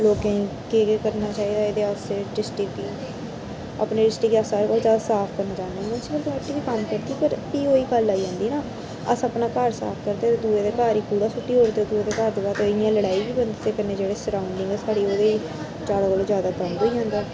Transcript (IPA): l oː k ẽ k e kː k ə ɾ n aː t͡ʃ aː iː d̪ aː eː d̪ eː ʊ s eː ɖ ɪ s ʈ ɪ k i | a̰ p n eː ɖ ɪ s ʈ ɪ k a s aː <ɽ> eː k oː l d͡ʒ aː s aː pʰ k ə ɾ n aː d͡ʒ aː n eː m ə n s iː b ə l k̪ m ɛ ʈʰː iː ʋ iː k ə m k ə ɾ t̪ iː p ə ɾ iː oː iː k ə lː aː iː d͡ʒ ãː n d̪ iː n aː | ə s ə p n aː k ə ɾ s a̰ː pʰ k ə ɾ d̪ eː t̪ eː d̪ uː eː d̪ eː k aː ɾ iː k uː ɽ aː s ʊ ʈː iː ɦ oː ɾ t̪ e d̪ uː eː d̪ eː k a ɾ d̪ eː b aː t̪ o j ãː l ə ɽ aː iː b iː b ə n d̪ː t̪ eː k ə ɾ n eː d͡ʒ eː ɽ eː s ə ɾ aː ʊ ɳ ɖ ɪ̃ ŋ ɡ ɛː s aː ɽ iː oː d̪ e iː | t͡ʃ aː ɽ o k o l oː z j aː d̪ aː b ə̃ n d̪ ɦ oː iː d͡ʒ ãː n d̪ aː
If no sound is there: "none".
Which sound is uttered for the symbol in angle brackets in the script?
ɾ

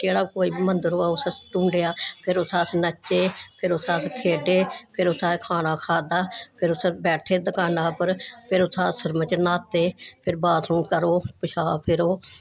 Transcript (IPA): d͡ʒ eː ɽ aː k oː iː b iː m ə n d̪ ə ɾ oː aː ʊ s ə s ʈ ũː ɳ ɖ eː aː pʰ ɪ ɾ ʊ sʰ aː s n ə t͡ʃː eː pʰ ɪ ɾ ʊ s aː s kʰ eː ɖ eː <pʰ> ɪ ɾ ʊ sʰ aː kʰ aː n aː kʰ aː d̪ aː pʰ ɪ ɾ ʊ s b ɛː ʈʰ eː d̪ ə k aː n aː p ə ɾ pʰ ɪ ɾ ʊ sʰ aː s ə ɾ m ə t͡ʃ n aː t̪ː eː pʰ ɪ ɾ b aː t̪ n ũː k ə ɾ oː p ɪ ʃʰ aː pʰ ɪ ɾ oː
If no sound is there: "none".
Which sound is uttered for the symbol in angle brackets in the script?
pʰ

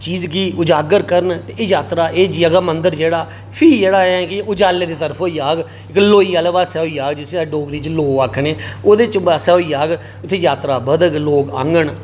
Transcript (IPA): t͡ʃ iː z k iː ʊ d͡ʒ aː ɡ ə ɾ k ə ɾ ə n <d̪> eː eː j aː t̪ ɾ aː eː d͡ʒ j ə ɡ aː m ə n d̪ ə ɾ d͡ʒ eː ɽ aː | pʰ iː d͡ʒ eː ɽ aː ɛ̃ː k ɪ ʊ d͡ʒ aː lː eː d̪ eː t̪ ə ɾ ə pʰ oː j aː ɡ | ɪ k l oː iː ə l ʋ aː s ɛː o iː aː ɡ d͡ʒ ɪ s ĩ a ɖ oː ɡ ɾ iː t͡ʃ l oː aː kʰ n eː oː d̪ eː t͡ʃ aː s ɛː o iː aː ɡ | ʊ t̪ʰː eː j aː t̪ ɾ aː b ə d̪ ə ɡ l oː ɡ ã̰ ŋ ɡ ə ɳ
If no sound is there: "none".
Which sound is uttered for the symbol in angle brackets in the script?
t̪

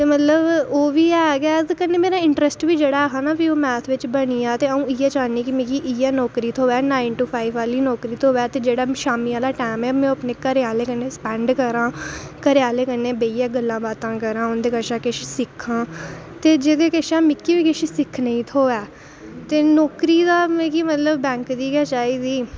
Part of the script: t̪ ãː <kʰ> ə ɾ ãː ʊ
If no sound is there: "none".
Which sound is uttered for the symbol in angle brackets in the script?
k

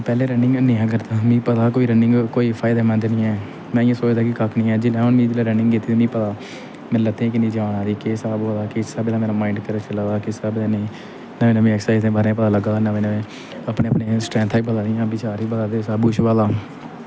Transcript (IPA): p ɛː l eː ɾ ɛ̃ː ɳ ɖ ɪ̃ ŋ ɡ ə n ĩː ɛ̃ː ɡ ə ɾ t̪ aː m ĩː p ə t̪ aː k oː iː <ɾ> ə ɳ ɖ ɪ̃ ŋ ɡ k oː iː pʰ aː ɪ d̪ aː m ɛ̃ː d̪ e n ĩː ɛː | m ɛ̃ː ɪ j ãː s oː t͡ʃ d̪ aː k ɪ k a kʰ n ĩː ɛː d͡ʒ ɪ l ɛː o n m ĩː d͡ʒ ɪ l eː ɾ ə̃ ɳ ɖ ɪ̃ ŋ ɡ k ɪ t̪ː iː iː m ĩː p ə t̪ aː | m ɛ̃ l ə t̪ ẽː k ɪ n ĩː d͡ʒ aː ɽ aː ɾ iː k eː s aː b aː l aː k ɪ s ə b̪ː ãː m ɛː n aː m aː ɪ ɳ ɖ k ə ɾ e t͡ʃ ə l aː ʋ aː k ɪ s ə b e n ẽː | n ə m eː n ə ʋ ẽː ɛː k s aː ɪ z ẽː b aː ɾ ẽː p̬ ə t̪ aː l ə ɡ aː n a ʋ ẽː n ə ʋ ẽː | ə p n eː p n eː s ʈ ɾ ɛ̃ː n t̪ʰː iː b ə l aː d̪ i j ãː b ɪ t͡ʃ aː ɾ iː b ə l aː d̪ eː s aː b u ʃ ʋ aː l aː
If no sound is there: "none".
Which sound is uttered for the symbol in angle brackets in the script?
ɾ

